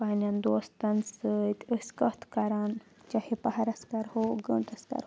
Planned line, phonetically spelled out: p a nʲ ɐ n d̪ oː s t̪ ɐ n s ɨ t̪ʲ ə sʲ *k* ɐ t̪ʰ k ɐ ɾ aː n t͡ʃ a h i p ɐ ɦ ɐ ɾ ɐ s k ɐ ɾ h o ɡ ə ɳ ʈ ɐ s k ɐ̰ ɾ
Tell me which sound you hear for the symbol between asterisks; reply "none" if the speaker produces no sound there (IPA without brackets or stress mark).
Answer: k